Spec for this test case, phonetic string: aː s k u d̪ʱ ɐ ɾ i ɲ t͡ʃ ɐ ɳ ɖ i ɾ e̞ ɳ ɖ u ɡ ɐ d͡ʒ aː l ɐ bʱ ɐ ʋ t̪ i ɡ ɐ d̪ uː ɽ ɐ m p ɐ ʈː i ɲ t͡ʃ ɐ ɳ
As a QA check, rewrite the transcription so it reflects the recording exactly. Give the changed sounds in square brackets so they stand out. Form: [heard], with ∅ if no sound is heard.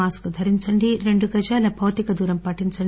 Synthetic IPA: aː s k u d̪ʱ ɐ ɾ i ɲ t͡ʃ ɐ ɳ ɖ i ɾ e̞ ɳ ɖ u ɡ ɐ d͡ʒ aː l ɐ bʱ ɐ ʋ t̪ i [k] ɐ d̪ uː [ɾ] ɐ m p ɐ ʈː i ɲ t͡ʃ ɐ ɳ